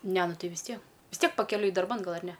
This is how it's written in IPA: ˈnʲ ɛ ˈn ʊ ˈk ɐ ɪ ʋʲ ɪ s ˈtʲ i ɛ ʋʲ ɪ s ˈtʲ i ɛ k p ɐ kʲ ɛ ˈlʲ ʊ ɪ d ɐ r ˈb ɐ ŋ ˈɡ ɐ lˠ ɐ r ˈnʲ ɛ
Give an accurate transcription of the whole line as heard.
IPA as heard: ˈnʲ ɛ ˈn ʊ ˈt ɐ ɪ ʋʲ ɪ s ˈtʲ i ɛ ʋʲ ɪ s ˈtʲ i ɛ k p ɐ kʲ ɛ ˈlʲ ʊ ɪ d ɐ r ˈb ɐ n ˈɡ ɐ lˠ ɐ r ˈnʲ ɛ